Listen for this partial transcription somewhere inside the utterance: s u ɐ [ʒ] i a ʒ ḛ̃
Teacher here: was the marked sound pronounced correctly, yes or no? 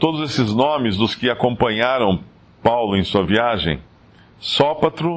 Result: no